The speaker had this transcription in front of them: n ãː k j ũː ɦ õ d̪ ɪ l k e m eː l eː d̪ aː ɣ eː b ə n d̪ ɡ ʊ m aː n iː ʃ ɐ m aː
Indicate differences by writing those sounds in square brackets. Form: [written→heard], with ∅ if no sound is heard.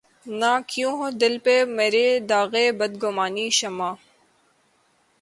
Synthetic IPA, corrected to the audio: n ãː k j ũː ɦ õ d̪ ɪ l [k→p] e m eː [l→ɾ] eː d̪ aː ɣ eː b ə [n→∅] d̪ ɡ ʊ m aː n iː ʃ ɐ m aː